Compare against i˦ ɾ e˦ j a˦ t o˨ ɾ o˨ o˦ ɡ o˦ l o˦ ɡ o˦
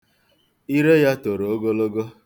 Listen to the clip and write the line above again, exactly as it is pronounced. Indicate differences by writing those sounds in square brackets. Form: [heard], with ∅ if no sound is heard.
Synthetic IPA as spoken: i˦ ɾ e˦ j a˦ t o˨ ɾ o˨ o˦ ɡ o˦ l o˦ ɡ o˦